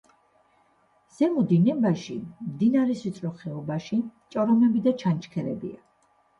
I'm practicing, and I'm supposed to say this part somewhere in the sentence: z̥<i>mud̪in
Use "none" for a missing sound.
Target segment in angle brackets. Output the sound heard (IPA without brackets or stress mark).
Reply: ɛ